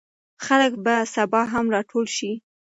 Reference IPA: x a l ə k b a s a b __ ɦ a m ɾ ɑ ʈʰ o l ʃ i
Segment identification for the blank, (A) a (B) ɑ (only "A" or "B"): B